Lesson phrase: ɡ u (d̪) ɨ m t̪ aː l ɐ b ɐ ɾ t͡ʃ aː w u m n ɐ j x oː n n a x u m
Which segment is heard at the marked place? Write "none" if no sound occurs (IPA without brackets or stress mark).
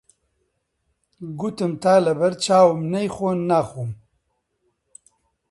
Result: t̪